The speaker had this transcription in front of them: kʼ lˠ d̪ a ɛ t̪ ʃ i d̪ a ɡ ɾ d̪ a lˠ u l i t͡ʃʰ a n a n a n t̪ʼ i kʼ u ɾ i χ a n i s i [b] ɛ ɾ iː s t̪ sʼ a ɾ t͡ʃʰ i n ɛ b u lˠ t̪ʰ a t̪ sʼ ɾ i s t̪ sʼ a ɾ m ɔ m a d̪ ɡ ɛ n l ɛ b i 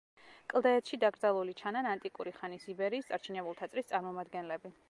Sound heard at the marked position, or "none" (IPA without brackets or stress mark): b